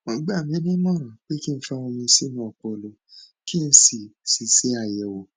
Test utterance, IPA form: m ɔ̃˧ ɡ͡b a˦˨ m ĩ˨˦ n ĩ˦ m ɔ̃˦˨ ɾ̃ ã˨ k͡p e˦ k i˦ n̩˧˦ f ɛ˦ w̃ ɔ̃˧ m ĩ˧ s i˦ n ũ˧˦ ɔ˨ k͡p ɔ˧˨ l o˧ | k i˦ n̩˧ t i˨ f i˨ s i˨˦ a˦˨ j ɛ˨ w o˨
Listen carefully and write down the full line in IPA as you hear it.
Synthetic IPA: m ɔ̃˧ ɡ͡b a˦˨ m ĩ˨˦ n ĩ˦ m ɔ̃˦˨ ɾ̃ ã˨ k͡p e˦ k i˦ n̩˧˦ f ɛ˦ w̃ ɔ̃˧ m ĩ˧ s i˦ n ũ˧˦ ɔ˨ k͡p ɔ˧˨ l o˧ | k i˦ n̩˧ s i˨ s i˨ s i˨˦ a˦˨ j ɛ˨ w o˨